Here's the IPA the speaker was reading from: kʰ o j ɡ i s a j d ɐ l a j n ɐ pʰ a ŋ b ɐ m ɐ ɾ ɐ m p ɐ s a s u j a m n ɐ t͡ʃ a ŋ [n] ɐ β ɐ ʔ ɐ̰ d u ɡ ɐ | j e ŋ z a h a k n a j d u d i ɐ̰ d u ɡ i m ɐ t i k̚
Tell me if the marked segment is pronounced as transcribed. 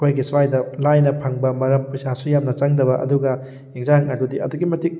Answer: no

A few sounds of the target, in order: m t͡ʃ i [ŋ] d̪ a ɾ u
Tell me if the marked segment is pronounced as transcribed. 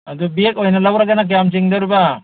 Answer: yes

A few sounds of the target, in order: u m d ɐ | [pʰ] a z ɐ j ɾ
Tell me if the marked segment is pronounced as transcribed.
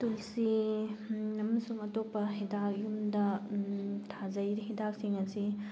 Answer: no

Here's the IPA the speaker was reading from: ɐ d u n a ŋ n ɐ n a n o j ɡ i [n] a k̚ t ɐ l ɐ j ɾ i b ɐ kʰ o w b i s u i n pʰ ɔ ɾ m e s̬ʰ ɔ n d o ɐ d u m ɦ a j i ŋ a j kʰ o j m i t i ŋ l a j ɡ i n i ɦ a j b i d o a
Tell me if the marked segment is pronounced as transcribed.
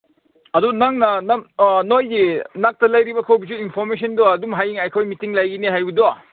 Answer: yes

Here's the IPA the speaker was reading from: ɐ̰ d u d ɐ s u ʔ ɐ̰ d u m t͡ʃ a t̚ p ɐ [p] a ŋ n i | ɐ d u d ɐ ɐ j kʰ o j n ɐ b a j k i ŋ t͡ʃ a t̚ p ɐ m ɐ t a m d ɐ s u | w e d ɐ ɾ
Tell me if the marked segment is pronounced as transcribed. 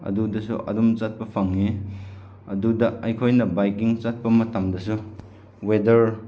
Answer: no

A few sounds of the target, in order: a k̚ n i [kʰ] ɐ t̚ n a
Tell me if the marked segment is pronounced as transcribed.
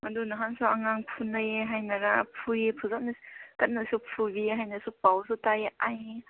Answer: no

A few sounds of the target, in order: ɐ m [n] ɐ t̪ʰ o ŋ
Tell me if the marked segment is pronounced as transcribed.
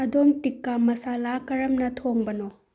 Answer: yes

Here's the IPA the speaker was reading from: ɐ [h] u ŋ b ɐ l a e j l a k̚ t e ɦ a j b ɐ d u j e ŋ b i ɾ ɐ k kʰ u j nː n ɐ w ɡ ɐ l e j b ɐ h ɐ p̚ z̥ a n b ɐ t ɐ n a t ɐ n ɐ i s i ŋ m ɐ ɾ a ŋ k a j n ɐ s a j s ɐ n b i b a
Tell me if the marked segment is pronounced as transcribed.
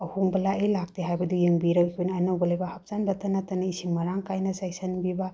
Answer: yes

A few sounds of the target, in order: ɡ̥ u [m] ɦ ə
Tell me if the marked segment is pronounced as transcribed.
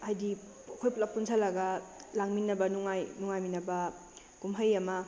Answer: yes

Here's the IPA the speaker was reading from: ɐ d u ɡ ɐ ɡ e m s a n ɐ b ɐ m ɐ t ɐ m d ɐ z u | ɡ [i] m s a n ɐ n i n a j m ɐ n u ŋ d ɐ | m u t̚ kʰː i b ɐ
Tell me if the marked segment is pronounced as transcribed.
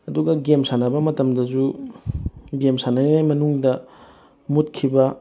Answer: no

